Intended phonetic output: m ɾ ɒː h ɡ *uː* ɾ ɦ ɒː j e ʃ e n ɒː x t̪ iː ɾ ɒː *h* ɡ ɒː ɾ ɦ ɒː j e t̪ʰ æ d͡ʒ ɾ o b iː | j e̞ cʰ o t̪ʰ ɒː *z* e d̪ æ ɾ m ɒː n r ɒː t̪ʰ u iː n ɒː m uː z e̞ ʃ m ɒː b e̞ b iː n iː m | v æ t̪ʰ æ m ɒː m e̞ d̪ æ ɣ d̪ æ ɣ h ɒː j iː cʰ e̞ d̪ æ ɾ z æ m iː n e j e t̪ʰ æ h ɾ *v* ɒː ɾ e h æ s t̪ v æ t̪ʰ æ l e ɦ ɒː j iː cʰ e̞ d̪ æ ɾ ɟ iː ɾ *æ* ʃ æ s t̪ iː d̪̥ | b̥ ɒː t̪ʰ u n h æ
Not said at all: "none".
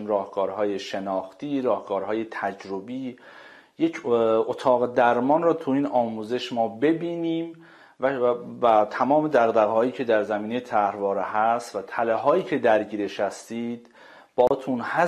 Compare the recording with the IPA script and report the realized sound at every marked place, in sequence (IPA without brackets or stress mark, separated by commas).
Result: ɒː, h, ɣ, v, e